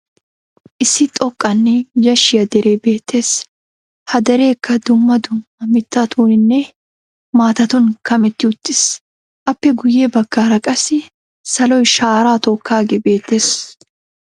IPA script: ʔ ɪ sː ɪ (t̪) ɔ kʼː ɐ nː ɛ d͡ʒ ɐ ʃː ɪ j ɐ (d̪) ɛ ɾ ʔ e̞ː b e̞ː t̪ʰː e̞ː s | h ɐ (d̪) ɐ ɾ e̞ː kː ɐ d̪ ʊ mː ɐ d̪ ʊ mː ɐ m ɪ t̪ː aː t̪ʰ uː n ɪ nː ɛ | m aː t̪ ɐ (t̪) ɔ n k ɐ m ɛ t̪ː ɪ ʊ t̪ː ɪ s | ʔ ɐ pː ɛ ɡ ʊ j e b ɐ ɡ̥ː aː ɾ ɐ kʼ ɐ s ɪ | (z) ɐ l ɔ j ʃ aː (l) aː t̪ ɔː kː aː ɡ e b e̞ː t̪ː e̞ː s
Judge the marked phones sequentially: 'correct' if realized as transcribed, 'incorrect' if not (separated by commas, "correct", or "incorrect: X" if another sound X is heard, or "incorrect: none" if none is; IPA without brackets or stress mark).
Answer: incorrect: t̪ʼ, correct, correct, correct, incorrect: s, incorrect: ɾ